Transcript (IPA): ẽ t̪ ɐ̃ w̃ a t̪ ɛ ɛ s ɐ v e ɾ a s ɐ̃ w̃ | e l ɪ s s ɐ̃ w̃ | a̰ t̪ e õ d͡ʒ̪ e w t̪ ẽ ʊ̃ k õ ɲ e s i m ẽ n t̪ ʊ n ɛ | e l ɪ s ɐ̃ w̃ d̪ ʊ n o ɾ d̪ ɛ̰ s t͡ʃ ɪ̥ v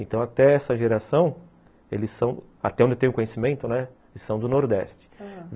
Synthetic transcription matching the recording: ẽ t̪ ɐ̃ w̃ a t̪ ɛ ɛ s ɐ ʒ e ɾ a s ɐ̃ w̃ | e l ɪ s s ɐ̃ w̃ | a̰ t̪ ɛ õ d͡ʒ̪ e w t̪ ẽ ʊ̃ k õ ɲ e s i m ẽ n t̪ ʊ n ɛ | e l ɪ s ɐ̃ w̃ d̪ ʊ n o ɾ d̪ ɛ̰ s t͡ʃ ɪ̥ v